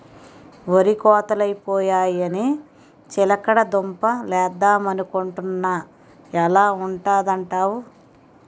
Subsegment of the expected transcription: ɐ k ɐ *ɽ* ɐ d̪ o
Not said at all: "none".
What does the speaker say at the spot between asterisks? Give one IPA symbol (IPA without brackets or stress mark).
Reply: ɽ